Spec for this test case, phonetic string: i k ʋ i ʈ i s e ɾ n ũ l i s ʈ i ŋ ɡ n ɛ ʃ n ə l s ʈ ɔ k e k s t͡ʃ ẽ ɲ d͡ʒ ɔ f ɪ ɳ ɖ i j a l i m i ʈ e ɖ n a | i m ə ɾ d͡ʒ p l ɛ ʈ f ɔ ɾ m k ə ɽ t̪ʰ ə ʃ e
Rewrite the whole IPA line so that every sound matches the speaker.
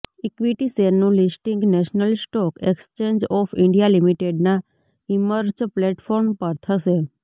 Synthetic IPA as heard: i k ʋ i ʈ i s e ɾ n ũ l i s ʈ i ŋ ɡ n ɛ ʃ n ə l s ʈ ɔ k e k s t͡ʃ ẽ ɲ d͡ʒ ɔ f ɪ ɳ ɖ i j a l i m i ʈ e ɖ n a | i m ə ɾ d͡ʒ p l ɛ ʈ f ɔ ɾ m p ə ɾ t̪ʰ ə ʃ e